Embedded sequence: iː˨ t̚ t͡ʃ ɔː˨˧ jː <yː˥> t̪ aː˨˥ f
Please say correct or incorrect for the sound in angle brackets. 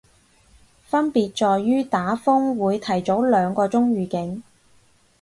correct